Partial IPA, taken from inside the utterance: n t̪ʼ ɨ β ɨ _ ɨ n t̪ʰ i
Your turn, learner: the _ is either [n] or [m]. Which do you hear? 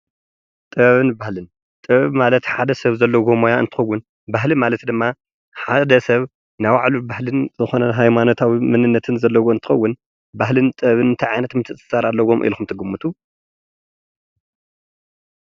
n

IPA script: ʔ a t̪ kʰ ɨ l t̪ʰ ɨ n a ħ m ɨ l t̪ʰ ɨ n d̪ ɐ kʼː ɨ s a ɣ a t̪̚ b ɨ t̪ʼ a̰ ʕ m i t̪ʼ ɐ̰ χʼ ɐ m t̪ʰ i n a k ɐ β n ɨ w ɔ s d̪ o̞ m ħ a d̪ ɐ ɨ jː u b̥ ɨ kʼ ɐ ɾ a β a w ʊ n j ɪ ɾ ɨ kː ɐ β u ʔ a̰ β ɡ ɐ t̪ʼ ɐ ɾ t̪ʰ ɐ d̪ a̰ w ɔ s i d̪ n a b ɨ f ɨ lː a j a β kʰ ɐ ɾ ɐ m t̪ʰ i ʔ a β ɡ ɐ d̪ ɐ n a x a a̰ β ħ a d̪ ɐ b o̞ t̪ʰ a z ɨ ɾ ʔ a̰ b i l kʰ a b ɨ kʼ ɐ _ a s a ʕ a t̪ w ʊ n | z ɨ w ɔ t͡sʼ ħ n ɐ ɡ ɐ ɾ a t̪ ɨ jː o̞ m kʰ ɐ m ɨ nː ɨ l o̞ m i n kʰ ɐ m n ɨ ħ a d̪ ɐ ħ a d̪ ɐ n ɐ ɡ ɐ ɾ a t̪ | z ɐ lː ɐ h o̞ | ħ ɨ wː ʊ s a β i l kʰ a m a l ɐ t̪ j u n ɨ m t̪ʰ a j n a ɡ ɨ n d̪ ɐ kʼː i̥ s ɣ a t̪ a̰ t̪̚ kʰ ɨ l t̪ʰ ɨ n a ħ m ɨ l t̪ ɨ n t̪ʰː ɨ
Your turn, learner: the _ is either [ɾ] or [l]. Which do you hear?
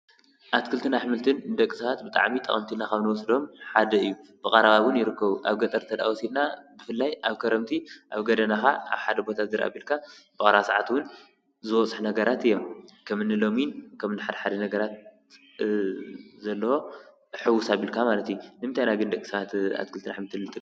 ɾ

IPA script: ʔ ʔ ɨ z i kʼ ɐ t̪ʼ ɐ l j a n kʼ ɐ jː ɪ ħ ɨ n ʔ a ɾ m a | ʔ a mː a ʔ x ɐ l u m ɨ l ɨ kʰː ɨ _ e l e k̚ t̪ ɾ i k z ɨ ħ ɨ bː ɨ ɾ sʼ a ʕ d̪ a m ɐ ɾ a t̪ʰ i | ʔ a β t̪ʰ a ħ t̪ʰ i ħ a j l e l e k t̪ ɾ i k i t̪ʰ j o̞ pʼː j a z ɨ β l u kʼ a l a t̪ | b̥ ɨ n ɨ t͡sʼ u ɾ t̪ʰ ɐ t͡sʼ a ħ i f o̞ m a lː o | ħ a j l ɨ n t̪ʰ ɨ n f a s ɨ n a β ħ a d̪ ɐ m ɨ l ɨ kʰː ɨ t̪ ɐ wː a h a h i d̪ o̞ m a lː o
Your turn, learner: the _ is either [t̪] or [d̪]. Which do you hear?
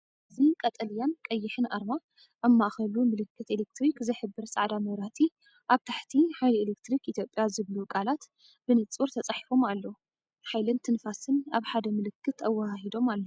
t̪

